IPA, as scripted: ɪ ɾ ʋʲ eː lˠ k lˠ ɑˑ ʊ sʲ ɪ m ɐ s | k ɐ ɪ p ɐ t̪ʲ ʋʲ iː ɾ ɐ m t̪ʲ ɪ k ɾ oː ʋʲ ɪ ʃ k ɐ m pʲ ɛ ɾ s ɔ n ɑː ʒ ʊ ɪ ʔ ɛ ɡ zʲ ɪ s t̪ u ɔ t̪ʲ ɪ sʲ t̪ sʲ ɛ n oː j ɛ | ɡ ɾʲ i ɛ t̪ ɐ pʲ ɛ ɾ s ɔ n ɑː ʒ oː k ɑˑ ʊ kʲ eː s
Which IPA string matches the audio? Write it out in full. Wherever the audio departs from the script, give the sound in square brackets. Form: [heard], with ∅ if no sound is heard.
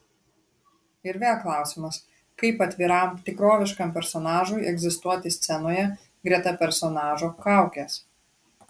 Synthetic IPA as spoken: ɪ ɾ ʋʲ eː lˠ k lˠ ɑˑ ʊ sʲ ɪ m ɐ s | k ɐ ɪ p ɐ t̪ʲ ʋʲ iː ɾ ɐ m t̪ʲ ɪ k ɾ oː ʋʲ ɪ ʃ k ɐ m pʲ ɛ ɾ s ɔ n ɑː ʒ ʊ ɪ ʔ ɛ ɡ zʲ ɪ s t̪ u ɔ t̪ʲ ɪ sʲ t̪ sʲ ɛ n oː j ɛ | ɡ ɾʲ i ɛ t̪ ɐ pʲ ɛ ɾ s ɔ n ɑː ʒ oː k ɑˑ ʊ kʲ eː s